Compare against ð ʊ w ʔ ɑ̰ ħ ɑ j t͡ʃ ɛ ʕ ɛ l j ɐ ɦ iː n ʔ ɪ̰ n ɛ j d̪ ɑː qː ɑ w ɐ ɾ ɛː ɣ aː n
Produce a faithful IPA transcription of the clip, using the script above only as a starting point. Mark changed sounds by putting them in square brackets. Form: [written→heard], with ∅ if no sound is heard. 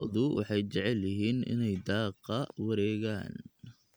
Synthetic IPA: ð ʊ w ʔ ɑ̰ ħ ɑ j t͡ʃ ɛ ʕ ɛ l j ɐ ɦ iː n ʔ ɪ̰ n ɛ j d̪ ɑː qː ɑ w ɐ ɾ ɛː ɣ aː n